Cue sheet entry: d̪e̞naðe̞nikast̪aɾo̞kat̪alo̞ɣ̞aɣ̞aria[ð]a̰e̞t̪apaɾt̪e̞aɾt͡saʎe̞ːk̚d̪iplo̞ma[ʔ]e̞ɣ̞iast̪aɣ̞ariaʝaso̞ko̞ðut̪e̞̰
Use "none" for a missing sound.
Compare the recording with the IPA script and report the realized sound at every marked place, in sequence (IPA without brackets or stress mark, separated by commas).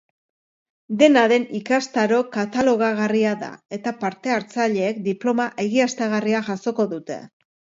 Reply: ð, ʔ